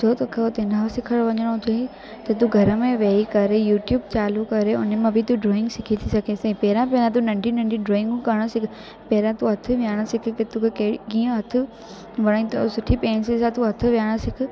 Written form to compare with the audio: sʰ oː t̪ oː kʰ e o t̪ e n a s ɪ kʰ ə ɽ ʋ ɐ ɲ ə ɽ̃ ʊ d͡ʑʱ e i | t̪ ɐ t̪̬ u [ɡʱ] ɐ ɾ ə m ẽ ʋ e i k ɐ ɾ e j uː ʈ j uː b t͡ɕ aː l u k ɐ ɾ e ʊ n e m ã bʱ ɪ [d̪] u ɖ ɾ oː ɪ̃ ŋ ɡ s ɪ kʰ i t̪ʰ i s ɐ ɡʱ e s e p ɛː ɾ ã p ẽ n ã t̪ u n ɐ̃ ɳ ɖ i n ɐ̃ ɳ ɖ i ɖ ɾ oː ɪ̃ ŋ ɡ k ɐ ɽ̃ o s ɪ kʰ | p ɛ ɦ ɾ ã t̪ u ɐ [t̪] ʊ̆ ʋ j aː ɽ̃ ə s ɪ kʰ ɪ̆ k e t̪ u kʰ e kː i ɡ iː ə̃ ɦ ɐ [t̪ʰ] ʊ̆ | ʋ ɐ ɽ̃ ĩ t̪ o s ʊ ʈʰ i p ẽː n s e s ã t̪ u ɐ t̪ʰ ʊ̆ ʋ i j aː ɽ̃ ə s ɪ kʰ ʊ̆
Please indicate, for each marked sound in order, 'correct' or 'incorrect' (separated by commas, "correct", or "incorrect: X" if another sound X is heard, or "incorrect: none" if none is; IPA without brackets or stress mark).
correct, incorrect: t̪, incorrect: t̪ʰ, correct